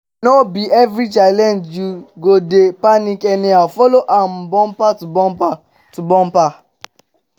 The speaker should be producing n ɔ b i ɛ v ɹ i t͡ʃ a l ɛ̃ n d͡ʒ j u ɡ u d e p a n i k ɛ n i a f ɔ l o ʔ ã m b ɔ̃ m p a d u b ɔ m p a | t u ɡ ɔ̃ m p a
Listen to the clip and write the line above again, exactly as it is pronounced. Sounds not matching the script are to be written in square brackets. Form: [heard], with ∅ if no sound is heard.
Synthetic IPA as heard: n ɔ b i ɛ v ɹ i t͡ʃ a l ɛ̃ n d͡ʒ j u ɡ [o] d e p a n i k ɛ n i a f ɔ l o ʔ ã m b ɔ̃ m p a [t] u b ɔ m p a | t u [b] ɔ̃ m p a